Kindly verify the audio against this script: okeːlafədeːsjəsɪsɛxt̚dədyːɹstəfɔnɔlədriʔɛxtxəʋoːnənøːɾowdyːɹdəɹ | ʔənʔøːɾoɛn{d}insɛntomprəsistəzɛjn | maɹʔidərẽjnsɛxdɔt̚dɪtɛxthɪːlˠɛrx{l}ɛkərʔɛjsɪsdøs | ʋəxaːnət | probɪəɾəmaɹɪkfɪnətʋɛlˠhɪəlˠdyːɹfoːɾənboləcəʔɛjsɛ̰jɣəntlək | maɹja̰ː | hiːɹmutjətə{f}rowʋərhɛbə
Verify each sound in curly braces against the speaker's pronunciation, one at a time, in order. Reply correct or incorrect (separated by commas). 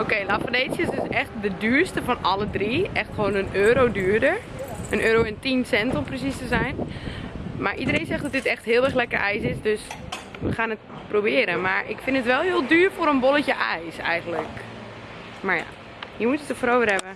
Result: incorrect, correct, correct